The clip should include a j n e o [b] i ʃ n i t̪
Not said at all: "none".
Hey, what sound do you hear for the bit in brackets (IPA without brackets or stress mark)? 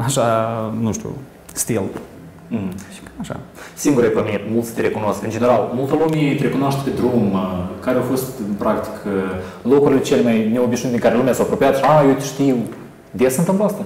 b